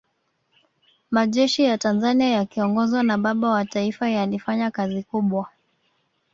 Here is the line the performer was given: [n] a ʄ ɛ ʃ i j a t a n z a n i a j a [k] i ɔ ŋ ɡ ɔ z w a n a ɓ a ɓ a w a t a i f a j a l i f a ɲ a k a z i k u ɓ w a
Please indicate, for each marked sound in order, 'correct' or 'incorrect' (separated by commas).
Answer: incorrect, correct